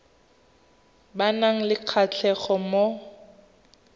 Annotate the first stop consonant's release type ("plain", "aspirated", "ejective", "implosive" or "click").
plain